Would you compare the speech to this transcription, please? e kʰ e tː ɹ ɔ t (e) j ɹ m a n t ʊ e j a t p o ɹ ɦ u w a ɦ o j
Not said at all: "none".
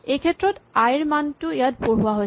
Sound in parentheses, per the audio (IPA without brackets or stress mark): a